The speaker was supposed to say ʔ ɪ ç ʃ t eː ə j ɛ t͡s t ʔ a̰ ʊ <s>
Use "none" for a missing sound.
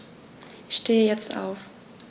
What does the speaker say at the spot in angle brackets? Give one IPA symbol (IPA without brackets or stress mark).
f